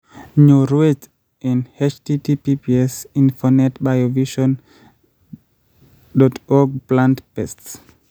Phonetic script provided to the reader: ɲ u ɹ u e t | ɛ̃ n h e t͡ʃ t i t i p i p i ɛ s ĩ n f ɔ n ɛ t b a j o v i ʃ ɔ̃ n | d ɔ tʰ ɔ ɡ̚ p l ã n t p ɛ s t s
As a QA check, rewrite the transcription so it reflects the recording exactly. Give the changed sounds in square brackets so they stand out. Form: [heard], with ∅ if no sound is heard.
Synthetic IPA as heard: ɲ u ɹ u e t | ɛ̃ n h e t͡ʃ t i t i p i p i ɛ s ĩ n f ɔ n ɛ t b a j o v i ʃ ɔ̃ n | d ɔ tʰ ɔ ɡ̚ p l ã n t p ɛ s t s